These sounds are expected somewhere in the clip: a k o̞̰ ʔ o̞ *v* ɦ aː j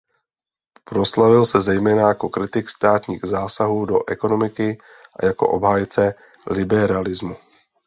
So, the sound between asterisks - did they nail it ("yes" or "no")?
no